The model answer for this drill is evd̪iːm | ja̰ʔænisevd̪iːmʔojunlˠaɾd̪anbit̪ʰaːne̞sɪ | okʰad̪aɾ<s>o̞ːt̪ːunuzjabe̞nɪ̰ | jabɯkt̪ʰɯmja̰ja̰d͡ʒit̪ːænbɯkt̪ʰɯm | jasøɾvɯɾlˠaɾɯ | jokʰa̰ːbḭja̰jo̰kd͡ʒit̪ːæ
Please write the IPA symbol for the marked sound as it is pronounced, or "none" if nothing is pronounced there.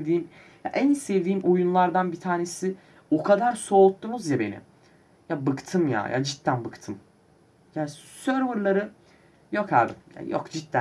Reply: s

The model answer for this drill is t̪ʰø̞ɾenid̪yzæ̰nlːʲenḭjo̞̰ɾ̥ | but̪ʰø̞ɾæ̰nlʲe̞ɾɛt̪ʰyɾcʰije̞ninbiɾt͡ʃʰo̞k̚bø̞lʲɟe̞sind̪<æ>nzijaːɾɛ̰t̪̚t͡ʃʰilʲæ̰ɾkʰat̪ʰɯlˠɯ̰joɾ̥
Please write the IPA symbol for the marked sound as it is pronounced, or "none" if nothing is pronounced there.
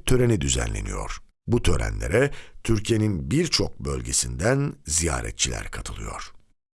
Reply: æ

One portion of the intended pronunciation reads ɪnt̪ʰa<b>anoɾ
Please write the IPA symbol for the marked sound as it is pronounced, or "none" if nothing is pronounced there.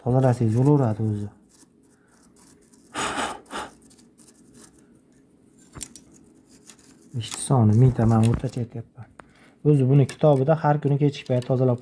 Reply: m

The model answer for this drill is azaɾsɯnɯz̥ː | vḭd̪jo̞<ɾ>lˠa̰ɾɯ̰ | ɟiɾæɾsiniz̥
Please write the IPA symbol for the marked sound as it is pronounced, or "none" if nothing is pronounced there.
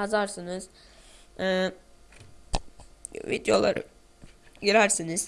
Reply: none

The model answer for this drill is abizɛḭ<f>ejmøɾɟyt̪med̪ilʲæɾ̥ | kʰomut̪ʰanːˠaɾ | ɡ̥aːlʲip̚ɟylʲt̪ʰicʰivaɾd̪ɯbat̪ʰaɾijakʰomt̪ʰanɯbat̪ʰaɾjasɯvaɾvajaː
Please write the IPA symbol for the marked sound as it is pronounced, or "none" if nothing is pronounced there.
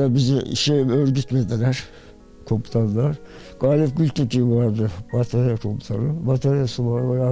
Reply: ʃ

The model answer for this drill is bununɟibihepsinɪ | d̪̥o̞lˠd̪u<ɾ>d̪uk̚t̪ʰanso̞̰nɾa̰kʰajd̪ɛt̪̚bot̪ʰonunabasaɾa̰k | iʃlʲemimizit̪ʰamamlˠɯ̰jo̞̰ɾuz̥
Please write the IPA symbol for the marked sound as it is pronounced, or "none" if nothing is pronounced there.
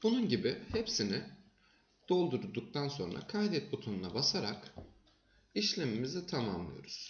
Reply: ɾ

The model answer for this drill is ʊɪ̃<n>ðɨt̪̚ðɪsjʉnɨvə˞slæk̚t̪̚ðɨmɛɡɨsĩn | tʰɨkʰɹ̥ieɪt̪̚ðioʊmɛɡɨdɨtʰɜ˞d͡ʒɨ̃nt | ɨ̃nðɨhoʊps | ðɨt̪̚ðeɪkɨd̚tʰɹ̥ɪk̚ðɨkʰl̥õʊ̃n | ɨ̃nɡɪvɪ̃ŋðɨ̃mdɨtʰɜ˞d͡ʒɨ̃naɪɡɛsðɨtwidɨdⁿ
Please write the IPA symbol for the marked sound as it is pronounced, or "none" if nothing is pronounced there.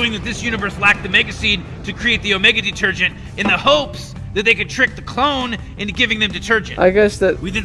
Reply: ŋ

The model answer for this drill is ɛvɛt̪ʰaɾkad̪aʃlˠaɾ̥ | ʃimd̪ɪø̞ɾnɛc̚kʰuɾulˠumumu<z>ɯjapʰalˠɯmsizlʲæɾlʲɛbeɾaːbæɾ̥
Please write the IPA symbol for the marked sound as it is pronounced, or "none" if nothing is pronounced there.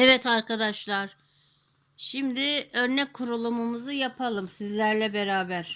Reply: z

